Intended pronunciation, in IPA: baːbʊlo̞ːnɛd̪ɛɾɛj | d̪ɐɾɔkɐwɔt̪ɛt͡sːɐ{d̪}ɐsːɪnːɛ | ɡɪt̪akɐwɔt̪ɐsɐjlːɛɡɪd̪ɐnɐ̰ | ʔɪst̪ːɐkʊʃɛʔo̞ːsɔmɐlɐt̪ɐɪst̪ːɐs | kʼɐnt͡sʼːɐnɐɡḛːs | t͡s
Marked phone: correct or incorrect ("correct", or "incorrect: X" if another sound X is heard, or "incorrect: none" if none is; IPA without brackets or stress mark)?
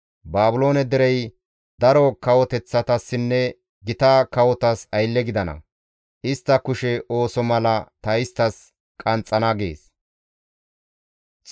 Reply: incorrect: t̪